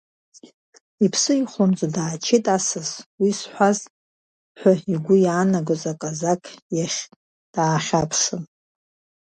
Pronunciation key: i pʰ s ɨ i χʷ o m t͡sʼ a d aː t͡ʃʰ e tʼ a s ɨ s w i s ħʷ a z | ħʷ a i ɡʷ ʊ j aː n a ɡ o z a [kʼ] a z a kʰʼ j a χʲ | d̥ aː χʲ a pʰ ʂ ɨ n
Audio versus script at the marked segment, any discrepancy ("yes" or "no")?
no